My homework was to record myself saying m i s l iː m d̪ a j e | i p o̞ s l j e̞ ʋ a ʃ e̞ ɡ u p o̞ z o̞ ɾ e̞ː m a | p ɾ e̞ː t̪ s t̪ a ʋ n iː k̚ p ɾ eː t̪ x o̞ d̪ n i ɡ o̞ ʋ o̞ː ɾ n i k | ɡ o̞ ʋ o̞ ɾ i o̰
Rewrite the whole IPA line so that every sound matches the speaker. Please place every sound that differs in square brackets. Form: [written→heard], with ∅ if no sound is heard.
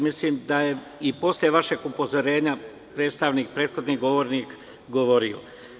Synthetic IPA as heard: m i s l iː m d̪ a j e | i p o̞ s l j e̞ ʋ a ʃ e̞ ɡ u p o̞ z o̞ ɾ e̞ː [m→ɲ] a | p ɾ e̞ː t̪ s t̪ a ʋ n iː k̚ p ɾ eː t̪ x o̞ d̪ n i ɡ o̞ ʋ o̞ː ɾ n i k | ɡ o̞ ʋ o̞ ɾ i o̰